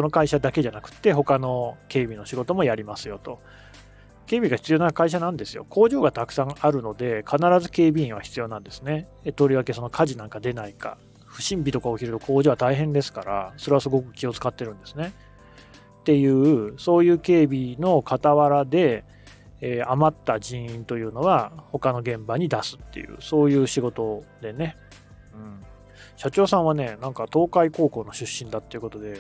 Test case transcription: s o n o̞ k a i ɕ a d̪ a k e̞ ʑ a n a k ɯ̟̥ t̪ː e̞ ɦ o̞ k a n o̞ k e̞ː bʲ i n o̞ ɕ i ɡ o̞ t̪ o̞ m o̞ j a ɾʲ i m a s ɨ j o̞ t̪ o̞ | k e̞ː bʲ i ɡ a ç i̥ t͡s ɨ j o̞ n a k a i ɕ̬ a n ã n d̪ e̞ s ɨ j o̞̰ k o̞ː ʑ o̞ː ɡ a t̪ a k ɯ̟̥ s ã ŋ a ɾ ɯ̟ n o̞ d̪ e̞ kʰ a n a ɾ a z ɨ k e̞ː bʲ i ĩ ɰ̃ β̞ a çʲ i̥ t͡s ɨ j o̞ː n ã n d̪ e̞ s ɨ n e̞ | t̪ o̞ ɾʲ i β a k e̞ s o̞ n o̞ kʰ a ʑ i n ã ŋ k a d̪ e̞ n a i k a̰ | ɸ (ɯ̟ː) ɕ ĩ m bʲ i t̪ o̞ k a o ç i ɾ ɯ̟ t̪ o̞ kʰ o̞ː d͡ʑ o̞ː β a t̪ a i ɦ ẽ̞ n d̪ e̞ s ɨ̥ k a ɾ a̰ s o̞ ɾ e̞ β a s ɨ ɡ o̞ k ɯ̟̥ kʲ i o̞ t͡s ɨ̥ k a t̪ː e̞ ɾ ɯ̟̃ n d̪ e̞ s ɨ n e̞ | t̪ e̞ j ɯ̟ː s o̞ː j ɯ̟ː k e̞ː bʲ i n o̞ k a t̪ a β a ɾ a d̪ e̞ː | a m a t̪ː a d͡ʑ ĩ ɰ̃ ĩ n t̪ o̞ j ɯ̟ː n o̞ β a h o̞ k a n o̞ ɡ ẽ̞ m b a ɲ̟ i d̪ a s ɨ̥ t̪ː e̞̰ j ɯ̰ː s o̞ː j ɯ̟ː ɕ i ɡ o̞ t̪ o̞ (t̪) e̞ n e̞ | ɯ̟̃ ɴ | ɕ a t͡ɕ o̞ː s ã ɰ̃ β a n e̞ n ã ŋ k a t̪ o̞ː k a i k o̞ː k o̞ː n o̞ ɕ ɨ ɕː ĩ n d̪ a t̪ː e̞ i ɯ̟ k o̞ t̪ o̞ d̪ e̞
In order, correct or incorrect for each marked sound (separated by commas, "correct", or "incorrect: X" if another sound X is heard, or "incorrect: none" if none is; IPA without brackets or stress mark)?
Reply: incorrect: ɯ̟, incorrect: d̪